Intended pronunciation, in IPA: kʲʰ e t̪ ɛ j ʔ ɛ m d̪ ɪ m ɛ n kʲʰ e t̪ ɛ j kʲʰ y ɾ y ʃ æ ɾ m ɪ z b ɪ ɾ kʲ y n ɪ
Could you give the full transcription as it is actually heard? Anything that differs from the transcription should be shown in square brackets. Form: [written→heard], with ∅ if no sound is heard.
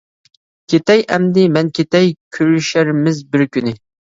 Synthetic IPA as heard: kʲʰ e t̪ ɛ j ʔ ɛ m d̪ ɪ m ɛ n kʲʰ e t̪ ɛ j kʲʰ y ɾ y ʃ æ ɾ m ɪ z b ɪ ɾ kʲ y n ɪ